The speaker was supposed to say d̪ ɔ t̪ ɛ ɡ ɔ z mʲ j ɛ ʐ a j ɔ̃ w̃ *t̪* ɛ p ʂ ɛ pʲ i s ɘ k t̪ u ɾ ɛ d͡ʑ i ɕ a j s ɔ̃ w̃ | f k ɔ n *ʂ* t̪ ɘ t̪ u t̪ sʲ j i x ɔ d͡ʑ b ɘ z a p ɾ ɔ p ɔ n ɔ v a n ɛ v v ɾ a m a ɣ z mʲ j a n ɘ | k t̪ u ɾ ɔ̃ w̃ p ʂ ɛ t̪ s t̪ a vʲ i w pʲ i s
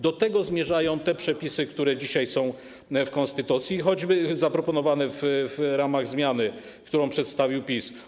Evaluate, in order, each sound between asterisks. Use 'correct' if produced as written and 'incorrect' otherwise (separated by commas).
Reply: correct, incorrect